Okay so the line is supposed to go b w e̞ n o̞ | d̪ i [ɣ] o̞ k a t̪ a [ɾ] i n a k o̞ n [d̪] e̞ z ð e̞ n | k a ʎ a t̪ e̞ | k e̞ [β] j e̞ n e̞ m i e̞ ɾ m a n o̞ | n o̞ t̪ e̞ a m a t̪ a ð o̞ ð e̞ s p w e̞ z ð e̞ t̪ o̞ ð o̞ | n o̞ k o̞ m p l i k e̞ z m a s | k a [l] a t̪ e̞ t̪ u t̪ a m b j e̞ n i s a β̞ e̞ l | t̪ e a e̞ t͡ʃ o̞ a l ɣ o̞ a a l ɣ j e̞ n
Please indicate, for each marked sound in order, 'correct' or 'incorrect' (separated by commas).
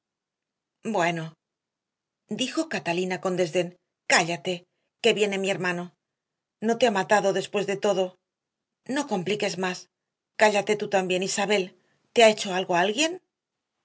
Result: incorrect, incorrect, correct, correct, incorrect